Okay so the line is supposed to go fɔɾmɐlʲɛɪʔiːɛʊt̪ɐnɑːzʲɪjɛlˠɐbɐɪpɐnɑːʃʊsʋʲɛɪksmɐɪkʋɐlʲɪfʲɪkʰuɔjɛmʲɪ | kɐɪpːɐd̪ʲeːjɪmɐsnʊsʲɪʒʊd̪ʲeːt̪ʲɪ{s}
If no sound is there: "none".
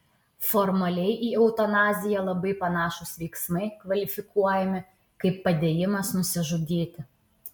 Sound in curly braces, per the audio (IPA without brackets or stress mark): none